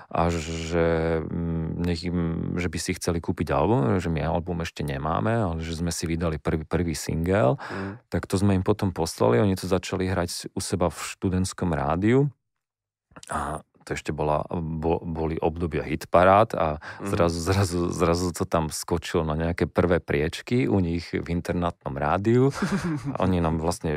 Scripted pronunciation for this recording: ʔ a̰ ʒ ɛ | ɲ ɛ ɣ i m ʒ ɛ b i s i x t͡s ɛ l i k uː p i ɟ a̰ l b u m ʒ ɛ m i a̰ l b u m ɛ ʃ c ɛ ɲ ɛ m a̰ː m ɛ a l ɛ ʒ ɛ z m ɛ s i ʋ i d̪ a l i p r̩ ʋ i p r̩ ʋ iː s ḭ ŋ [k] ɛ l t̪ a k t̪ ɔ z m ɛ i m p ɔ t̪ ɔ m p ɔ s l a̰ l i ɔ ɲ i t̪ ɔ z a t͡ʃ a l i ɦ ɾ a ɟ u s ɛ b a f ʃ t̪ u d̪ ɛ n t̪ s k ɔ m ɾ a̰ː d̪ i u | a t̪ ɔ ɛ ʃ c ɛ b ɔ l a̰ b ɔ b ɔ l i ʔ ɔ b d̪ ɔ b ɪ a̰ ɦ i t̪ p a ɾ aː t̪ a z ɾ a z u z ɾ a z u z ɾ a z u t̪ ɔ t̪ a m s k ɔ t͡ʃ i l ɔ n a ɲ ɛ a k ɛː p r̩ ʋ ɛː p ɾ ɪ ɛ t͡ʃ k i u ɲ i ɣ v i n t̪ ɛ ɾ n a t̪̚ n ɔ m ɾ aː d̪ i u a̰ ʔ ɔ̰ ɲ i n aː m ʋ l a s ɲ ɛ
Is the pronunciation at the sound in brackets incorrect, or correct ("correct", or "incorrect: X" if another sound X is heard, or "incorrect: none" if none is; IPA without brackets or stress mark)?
incorrect: ɡ